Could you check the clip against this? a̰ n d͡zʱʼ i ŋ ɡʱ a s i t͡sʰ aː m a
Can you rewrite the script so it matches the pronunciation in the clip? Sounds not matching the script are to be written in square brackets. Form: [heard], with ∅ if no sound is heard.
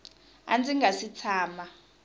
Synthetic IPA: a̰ n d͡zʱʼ i ŋ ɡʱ a s i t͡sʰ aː m a